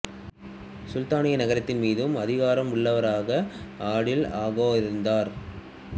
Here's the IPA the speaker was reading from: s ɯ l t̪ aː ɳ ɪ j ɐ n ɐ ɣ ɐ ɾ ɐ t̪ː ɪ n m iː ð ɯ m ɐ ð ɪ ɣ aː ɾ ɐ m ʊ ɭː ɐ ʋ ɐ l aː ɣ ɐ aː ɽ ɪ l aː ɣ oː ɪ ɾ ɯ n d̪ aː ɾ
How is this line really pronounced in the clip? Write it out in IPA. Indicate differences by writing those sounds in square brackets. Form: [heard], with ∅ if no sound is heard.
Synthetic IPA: s [ʊ] l t̪ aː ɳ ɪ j ɐ n ɐ ɣ ɐ ɾ ɐ t̪ː ɪ n m iː ð ɯ m ɐ ð ɪ ɣ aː ɾ ɐ m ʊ ɭː ɐ ʋ ɐ [ɾ] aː ɣ ɐ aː ɽ ɪ l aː ɣ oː ɪ ɾ ɯ n d̪ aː ɾ